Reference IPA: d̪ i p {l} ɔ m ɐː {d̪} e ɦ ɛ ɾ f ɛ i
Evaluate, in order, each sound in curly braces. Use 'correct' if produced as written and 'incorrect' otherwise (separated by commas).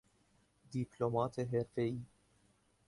correct, incorrect